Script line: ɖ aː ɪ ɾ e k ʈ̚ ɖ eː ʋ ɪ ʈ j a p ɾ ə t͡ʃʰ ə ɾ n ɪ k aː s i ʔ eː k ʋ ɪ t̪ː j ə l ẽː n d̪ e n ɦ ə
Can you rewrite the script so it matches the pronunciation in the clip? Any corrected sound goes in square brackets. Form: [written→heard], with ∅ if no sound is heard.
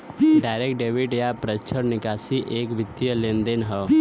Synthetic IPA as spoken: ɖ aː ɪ ɾ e k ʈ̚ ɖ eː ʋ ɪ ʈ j a p ɾ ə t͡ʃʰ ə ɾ n ɪ k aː s i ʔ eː k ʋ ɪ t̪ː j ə l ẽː n d̪ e n ɦ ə